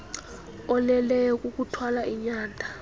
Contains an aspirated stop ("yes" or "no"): yes